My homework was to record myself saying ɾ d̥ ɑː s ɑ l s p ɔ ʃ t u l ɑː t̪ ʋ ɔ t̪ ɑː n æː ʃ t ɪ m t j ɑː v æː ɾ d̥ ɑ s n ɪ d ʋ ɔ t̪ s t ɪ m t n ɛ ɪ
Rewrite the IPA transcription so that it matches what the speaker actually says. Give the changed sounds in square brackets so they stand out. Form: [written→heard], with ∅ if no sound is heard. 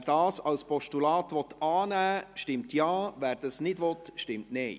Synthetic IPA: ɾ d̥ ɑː s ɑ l s p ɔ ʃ t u l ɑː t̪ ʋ ɔ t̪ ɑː n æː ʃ t ɪ m t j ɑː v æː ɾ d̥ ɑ s n ɪ d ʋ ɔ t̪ [s→ʃ] t ɪ m t n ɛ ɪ